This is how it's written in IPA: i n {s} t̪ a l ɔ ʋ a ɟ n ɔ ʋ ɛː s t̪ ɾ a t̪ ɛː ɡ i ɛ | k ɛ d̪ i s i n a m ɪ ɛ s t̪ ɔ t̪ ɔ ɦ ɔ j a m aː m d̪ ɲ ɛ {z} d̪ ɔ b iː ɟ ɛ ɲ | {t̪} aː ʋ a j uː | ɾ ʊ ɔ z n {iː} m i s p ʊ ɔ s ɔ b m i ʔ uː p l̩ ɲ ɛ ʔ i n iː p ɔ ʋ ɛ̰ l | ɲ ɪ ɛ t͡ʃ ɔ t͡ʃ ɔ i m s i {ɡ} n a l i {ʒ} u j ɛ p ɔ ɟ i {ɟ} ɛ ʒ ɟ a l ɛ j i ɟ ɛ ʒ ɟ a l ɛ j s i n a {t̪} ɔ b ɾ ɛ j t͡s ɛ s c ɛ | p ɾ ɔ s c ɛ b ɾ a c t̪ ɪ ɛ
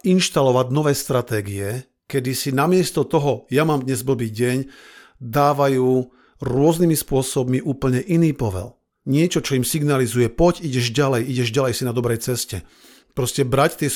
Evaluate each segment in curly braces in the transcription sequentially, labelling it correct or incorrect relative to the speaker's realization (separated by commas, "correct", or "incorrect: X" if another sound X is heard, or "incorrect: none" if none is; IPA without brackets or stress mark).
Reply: incorrect: ʃ, correct, incorrect: d̪, incorrect: i, correct, incorrect: z, correct, incorrect: d̪